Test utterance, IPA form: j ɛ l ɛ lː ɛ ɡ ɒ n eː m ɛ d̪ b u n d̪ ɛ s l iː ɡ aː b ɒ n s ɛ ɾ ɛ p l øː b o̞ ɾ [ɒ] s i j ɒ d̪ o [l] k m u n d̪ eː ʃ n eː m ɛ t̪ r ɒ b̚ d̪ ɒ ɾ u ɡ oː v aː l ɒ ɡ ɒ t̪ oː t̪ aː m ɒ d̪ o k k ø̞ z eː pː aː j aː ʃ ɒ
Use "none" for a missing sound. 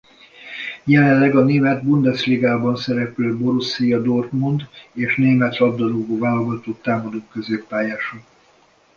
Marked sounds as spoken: u, r

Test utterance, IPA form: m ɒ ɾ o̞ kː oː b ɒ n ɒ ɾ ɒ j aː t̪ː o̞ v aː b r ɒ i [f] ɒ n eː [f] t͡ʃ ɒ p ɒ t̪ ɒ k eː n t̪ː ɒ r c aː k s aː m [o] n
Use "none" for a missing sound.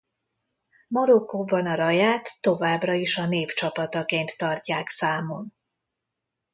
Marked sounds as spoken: ʃ, f, o

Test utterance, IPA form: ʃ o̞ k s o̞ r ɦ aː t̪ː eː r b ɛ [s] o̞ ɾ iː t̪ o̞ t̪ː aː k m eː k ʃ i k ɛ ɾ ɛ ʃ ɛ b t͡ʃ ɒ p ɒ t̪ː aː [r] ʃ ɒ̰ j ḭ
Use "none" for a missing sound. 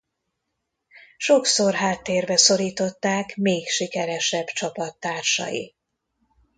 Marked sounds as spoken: s, r

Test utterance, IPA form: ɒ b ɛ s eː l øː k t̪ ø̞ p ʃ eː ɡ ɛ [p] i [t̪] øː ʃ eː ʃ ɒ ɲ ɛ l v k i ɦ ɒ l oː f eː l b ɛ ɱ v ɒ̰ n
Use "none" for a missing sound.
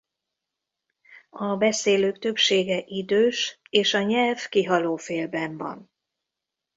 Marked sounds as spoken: ʔ, d̪

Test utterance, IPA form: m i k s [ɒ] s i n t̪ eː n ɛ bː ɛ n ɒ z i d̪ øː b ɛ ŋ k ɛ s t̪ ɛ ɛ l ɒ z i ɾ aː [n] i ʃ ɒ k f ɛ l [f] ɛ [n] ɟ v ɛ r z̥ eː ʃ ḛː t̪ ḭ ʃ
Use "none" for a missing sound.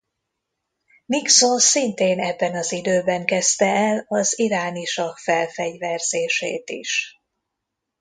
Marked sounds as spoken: o, n, f, none

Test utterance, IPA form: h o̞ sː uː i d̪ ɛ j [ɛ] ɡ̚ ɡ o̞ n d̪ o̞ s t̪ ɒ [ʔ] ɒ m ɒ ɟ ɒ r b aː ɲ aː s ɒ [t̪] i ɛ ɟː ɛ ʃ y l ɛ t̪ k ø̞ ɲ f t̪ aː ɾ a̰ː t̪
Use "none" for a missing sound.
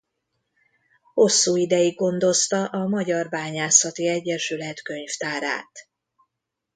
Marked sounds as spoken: i, ʔ, t̪

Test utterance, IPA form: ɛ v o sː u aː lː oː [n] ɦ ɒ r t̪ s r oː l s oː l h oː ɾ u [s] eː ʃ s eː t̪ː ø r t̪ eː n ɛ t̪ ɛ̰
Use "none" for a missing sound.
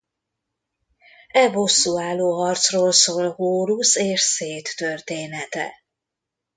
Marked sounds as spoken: none, s

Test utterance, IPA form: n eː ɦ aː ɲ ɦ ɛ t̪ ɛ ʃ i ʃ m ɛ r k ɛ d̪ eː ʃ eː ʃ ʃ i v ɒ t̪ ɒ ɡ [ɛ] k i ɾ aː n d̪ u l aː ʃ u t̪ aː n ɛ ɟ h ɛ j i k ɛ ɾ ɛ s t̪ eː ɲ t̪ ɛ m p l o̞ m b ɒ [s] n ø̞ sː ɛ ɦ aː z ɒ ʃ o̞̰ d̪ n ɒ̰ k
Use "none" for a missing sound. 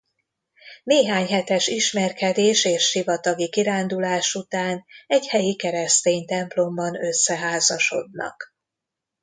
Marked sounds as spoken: i, none

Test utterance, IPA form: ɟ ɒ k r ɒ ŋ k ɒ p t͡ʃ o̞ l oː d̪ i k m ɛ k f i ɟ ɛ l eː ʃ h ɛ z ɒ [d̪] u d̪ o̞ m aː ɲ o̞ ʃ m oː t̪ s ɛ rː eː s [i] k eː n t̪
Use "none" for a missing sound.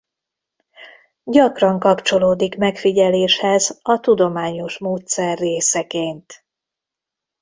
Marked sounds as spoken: t̪, ɛ

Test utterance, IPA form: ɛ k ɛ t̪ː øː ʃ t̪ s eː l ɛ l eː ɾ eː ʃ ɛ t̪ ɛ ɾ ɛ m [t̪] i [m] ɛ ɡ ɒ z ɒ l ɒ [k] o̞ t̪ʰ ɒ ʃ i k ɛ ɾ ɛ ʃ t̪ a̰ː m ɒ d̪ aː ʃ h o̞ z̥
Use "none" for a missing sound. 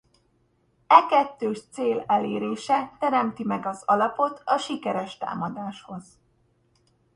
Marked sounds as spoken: t̪, m, p

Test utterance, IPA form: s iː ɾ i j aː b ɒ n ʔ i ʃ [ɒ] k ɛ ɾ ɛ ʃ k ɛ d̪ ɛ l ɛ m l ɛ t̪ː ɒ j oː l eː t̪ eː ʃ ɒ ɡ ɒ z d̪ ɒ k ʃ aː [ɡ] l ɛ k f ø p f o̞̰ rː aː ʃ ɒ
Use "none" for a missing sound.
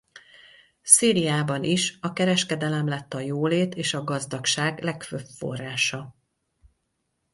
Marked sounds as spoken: ɒ, ɡ

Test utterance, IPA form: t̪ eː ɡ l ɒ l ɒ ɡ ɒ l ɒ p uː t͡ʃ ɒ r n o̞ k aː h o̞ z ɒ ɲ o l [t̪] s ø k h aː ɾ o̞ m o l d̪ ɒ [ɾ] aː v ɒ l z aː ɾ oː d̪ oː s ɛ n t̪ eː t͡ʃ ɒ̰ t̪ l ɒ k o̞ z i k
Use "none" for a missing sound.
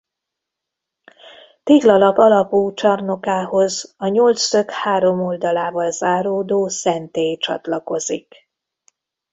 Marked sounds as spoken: t̪, l

